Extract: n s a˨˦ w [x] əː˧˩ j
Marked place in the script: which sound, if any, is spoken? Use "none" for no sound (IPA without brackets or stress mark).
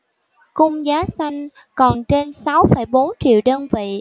f